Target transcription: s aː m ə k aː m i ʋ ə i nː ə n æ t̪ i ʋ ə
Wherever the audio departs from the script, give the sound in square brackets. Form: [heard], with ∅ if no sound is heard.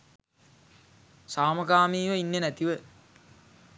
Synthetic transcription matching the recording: s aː m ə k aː m [iː] ʋ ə i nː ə n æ t̪ i ʋ ə